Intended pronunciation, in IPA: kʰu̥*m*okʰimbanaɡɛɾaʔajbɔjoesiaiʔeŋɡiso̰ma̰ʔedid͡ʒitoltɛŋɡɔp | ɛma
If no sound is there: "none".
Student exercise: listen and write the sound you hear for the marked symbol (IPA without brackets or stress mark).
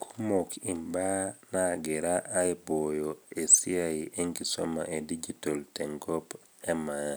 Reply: m